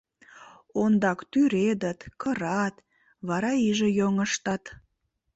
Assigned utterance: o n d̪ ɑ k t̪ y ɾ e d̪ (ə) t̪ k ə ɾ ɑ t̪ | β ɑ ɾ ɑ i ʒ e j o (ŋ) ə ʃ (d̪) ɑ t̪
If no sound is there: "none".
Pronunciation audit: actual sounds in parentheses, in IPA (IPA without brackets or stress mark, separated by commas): ə, ŋ, t̪